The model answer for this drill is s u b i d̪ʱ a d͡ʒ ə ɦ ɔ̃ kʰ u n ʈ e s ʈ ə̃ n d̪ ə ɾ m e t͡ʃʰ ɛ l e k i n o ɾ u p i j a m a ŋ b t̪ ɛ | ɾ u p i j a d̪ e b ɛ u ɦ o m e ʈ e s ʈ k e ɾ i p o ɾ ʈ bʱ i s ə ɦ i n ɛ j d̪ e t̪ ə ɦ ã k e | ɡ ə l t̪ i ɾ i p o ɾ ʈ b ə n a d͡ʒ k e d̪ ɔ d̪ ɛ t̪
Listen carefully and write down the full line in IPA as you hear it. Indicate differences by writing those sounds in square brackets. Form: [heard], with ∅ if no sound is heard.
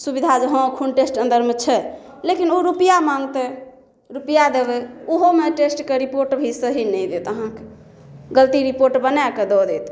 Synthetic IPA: s u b i d̪ʱ a d͡ʒ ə ɦ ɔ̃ kʰ u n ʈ e s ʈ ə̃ n d̪ ə ɾ m e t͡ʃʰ ɛ l e k i n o ɾ u p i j a m a ŋ [ɡ] t̪ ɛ | ɾ u p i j a d̪ e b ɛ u ɦ o m e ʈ e s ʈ k e ɾ i p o ɾ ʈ bʱ i s ə ɦ i n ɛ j d̪ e t̪ ə ɦ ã k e | ɡ ə l t̪ i ɾ i p o ɾ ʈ b ə n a [∅] k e d̪ ɔ d̪ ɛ t̪